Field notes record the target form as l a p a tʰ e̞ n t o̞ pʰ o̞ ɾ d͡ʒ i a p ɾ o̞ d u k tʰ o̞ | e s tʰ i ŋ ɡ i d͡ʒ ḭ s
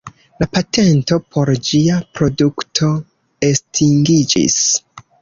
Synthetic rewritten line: l a p a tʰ e̞ n t o̞ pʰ o̞ ɾ d͡ʒ i a p ɾ o̞ d u k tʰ o̞ | e s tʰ i ŋ ɡ i d͡ʒ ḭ s